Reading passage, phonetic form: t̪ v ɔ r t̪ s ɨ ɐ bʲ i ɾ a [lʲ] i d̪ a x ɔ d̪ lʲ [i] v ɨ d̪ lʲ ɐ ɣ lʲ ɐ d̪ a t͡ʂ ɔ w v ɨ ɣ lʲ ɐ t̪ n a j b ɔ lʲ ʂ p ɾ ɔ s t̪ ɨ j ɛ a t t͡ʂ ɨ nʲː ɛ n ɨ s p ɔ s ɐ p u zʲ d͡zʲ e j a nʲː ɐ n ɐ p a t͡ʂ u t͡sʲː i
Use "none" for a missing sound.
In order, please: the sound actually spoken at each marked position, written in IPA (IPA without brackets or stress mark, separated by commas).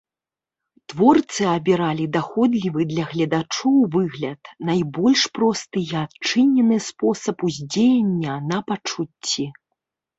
lʲ, i